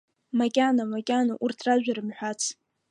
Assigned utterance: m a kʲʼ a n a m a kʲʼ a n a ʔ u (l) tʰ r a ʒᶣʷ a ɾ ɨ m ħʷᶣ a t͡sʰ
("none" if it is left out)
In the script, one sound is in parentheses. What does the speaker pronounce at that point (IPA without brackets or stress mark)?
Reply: r